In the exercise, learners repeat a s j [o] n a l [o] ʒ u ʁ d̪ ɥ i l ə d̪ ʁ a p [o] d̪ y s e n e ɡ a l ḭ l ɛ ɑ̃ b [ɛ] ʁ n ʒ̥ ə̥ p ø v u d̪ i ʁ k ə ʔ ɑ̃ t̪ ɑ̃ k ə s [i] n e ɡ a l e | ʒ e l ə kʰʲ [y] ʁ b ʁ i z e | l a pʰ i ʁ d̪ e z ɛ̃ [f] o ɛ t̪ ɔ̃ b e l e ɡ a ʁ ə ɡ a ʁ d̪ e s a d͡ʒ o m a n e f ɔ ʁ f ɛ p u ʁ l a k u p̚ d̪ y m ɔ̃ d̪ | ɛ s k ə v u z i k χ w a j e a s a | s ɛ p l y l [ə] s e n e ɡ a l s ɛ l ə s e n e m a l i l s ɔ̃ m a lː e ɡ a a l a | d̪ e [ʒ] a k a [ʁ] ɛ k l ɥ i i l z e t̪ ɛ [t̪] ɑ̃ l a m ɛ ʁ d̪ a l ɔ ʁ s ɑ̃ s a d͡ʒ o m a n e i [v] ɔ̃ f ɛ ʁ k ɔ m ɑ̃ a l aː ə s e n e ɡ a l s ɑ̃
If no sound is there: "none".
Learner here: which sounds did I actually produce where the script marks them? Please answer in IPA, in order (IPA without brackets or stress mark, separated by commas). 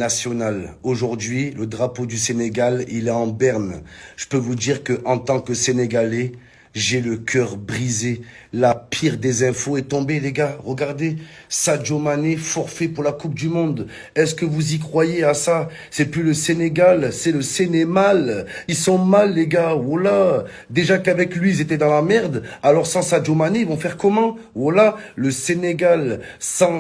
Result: ɔ, o, o, ɛ, e, œ, f, ə, ʒ, v, d̪, v